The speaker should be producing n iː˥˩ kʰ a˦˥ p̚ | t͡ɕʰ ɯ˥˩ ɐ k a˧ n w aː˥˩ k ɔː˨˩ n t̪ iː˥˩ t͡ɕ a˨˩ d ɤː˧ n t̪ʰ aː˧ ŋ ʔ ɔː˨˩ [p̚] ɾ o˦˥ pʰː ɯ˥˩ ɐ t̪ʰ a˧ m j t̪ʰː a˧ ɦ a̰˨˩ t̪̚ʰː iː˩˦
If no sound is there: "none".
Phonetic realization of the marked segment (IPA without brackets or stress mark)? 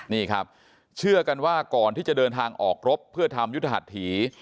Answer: k̚